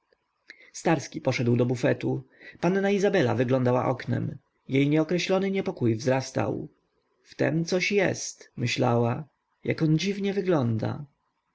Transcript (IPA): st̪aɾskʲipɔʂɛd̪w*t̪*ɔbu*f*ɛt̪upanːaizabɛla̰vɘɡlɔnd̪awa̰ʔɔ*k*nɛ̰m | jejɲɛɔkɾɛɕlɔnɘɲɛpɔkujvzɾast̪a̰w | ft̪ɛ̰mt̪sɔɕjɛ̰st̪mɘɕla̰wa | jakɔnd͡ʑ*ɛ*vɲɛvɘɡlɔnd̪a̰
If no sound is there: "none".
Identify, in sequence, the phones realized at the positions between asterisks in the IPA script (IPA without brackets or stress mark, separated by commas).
d̪, f, k, i